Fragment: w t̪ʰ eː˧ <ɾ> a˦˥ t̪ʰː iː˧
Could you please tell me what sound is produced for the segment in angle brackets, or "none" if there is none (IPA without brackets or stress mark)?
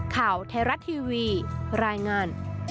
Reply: ɾ